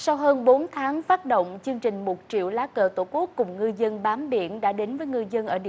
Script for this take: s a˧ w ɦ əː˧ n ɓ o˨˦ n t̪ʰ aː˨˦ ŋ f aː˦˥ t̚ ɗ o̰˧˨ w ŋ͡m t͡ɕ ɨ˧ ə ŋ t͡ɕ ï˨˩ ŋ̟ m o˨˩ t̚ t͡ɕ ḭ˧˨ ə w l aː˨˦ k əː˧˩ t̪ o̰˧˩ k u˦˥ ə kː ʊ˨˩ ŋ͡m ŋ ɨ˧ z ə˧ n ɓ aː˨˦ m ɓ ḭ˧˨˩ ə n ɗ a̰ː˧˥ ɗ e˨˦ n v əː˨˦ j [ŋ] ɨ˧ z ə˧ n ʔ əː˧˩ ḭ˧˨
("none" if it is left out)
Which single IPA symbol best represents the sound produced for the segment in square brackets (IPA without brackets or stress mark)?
ŋ